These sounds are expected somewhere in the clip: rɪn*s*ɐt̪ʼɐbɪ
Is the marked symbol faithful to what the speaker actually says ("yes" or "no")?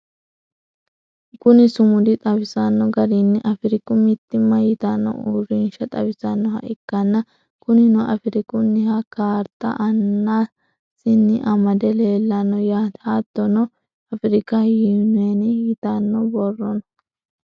no